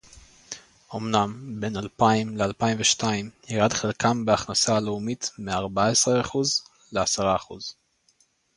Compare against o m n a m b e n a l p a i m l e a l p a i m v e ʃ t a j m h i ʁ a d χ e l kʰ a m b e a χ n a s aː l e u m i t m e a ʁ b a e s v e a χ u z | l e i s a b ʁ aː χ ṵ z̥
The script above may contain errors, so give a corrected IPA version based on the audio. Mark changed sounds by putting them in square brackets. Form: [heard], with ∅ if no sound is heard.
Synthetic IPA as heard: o m n a m b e n a l p a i m l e a l p a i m v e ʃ t a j m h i ʁ a d χ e l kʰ a m b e a χ n a s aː l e u m i t m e a ʁ b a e s [ʁ] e a χ u z | l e [a] s a [∅] ʁ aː χ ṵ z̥